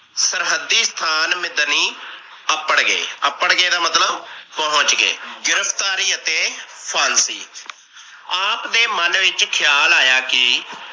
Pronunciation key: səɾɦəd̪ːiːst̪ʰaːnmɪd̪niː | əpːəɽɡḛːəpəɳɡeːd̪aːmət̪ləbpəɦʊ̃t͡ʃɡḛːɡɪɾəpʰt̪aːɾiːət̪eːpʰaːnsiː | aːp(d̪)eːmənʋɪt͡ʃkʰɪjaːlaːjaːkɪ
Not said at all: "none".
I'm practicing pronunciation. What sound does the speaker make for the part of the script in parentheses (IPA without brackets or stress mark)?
d̪